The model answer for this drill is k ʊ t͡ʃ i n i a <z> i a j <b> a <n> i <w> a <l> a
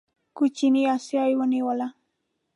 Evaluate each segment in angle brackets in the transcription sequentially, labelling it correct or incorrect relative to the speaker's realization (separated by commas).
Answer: incorrect, incorrect, correct, correct, correct